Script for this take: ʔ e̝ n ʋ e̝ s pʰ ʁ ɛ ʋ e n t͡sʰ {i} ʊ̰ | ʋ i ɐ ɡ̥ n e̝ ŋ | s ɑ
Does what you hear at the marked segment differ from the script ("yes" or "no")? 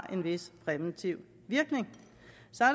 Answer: no